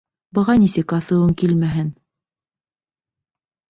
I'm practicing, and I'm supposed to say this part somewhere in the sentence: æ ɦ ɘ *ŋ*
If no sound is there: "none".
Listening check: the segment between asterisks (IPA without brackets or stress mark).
n